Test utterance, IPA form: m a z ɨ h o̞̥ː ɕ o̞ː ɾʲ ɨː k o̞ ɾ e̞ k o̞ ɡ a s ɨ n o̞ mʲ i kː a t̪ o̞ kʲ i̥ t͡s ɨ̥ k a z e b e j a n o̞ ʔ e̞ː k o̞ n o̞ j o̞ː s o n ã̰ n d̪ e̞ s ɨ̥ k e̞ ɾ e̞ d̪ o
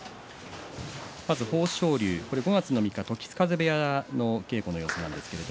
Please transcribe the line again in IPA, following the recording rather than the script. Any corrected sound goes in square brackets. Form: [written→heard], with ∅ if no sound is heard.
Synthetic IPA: m a z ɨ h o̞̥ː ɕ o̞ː ɾʲ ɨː k o̞ ɾ e̞ [k→ɡ] o̞ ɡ a [s→t͡s] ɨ n o̞ mʲ i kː a t̪ o̞ kʲ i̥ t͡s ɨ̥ k a z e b e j a n o̞ [ʔ→k] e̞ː k o̞ n o̞ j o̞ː s o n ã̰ n d̪ e̞ s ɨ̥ k e̞ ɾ e̞ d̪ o

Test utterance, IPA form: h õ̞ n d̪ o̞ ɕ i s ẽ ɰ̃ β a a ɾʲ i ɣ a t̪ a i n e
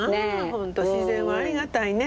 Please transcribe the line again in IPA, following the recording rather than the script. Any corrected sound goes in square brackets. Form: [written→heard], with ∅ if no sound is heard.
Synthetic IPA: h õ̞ n [d̪→t̪] o̞ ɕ i [s→z] ẽ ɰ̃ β a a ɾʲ i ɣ a t̪ a i n e

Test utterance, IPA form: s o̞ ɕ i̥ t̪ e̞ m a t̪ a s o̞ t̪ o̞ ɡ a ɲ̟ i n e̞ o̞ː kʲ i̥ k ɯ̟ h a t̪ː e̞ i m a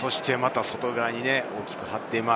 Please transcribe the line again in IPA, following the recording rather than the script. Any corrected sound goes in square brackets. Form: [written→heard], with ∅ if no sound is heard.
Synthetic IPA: s o̞ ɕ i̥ t̪ e̞ m a t̪ a s o̞ t̪ o̞ ɡ a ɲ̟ i n e̞ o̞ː kʲ i̥ k ɯ̟ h a t̪ː e̞ i m a

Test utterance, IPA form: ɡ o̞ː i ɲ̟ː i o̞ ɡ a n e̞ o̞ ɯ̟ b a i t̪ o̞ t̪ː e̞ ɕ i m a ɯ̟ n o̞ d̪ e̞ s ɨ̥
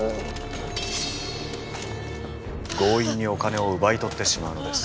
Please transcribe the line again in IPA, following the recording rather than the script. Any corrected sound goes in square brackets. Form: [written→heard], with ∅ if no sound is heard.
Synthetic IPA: ɡ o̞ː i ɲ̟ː i o̞ [ɡ→k] a n e̞ o̞ ɯ̟ b a i t̪ o̞ t̪ː e̞ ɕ i m a ɯ̟ n o̞ d̪ e̞ s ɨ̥

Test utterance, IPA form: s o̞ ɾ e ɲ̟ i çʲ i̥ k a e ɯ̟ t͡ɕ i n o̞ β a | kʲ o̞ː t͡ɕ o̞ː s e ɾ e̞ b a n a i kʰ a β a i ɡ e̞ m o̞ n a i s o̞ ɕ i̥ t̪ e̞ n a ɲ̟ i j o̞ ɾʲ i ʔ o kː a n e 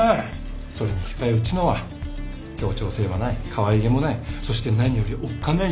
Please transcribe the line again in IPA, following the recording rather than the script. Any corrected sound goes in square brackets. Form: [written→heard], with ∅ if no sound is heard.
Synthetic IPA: s o̞ ɾ e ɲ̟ i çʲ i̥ k a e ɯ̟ t͡ɕ i n o̞ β a | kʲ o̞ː t͡ɕ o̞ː s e ɾ e̞ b a n a i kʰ a β a i ɡ e̞ m o̞ n a i s o̞ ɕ i̥ t̪ e̞ n a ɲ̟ i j o̞ ɾʲ i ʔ o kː a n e

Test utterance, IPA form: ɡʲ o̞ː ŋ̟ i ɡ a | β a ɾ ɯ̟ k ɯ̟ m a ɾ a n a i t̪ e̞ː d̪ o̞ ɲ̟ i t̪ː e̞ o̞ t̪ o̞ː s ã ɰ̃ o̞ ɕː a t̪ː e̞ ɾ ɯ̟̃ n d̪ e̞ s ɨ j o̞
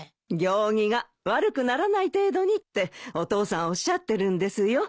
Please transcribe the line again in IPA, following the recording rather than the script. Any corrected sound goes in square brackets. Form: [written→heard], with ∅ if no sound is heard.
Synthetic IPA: ɡʲ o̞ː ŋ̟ i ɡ a | β a ɾ ɯ̟ k ɯ̟ [m→n] a ɾ a n a i t̪ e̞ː d̪ o̞ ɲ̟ i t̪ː e̞ o̞ t̪ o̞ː s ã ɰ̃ o̞ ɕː a t̪ː e̞ ɾ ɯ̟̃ n d̪ e̞ s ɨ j o̞

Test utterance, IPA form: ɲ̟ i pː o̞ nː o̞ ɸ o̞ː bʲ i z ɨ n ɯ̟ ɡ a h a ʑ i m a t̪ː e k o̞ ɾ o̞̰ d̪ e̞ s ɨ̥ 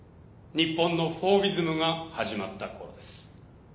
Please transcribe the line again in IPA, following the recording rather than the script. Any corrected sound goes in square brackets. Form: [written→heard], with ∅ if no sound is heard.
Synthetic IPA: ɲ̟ i pː [o̞→õ̞] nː o̞ ɸ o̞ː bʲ i z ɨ [n→m] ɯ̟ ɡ a h a ʑ i m a t̪ː [e→a] k o̞ ɾ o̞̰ d̪ e̞ s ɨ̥

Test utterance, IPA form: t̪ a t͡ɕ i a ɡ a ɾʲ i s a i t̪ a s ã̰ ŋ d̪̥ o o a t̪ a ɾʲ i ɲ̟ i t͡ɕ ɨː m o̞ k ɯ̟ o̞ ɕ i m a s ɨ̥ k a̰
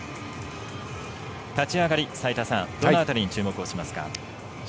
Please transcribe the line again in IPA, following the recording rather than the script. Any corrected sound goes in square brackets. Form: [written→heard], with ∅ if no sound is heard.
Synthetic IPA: t̪ a t͡ɕ i a ɡ a ɾʲ i s a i t̪ a s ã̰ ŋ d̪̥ o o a t̪ a ɾʲ i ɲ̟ i t͡ɕ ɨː m o̞ k ɯ̟ o̞ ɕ i m a s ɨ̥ k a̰

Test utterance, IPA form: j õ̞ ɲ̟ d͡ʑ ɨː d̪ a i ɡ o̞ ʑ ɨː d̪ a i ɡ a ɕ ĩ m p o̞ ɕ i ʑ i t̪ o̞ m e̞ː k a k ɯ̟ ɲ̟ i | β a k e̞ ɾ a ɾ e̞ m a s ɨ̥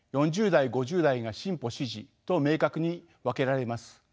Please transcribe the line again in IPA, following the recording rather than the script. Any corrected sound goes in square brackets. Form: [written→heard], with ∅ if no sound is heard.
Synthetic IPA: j õ̞ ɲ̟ d͡ʑ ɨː d̪ a i ɡ o̞ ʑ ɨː d̪ a i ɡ a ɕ ĩ m p o̞ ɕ i ʑ i t̪ o̞ m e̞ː k a k ɯ̟ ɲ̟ i | β a k e̞ ɾ a ɾ e̞ m a s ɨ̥

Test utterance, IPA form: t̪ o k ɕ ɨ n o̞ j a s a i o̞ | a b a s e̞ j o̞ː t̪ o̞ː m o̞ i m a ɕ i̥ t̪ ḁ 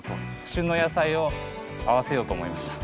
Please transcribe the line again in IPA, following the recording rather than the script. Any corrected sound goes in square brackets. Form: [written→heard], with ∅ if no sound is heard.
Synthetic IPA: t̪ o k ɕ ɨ n o̞ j a s a i o̞ | a [b→β] a s e̞ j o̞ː t̪ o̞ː m o̞ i m a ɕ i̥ t̪ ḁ

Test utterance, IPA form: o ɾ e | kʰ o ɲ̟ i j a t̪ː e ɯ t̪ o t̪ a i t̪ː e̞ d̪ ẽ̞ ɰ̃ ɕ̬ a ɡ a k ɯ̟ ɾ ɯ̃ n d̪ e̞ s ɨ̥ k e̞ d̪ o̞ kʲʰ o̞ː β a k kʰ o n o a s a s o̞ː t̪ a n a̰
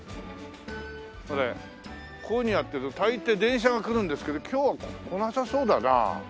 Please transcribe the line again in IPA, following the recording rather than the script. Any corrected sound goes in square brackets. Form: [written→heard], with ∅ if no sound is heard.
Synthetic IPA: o ɾ e | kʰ o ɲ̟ i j a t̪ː e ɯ t̪ o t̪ a i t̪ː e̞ d̪ ẽ̞ ɰ̃ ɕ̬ a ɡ a k ɯ̟ ɾ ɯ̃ n d̪ e̞ s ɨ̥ k e̞ d̪ o̞ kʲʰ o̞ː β a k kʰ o n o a s a s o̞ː [t̪→d̪] a n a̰

